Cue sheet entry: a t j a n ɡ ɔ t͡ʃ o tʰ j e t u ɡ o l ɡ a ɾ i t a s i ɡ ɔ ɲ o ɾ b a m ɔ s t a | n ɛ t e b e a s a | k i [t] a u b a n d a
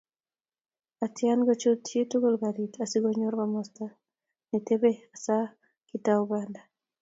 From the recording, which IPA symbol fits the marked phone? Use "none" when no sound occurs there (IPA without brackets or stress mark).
t